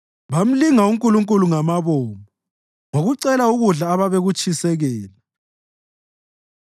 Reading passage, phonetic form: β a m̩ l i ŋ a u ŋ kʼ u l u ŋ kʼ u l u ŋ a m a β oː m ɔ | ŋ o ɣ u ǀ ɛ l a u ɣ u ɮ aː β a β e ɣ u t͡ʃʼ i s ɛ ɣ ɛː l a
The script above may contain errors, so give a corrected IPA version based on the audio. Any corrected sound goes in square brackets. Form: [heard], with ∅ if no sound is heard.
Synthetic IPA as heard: β a m̩ l i ŋ a u ŋ kʼ u l u ŋ kʼ u l u ŋ a m a β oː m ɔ | ŋ o ɣ u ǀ ɛ l a u ɣ u ɮ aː β a β e ɣ u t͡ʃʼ i s ɛ ɣ ɛː l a